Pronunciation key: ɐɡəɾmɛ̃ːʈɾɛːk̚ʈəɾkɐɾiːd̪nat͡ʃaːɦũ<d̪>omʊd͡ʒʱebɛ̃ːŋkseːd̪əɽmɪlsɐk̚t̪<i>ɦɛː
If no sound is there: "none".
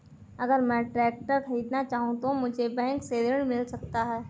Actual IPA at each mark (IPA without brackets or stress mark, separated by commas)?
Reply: t̪, a